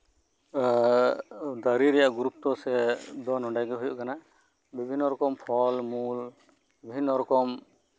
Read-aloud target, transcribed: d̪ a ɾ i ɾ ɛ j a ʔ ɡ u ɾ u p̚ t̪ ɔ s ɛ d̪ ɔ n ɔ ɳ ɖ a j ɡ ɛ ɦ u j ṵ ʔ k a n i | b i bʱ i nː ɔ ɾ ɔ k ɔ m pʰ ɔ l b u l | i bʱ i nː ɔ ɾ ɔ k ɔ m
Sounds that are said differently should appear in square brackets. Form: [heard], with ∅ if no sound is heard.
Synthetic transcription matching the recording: d̪ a ɾ i ɾ ɛ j a ʔ ɡ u ɾ u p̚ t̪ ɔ s ɛ d̪ ɔ n ɔ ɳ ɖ a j ɡ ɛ ɦ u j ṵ ʔ k a n [a] | b i bʱ i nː ɔ ɾ ɔ k ɔ m pʰ ɔ l [m] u l | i bʱ i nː ɔ ɾ ɔ k ɔ m